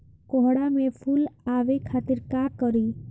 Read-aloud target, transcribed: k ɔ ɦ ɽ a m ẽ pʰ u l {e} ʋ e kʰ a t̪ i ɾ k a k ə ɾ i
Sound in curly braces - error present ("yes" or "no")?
yes